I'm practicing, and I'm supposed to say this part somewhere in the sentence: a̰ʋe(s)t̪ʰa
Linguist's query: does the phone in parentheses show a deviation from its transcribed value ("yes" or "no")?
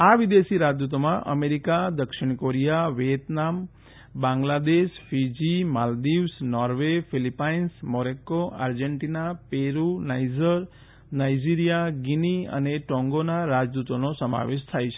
yes